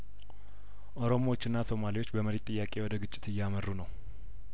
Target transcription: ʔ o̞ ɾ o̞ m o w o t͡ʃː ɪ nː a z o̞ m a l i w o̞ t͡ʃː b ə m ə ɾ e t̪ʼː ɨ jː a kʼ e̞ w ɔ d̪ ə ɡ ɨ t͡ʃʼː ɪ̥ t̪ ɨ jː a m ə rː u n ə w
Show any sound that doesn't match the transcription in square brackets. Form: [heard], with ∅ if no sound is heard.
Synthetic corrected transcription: ʔ o̞ ɾ o̞ m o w o t͡ʃː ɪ nː a [s] o̞ m a l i w o̞ t͡ʃː b ə m ə ɾ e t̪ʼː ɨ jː a kʼ e̞ w ɔ d̪ ə ɡ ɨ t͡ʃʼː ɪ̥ t̪ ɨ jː a m ə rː u n ə w